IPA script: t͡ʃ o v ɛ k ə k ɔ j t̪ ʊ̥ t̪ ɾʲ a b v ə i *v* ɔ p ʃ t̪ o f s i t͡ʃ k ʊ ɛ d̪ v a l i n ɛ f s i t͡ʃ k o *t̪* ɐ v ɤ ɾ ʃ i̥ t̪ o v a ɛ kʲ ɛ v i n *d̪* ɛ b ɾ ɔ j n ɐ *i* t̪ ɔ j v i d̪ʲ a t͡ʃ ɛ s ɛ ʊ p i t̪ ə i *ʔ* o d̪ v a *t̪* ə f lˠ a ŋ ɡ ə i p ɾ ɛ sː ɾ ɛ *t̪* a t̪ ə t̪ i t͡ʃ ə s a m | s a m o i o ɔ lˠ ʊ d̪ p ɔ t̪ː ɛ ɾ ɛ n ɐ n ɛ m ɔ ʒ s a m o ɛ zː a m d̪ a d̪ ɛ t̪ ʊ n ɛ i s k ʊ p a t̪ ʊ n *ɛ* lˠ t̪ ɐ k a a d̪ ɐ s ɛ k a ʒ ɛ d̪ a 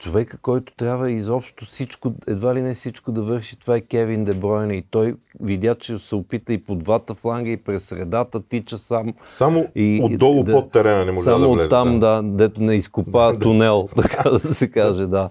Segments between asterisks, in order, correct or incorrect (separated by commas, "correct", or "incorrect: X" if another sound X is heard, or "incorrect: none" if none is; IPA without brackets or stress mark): incorrect: z, incorrect: d̪, correct, correct, incorrect: p, correct, incorrect: d̪, correct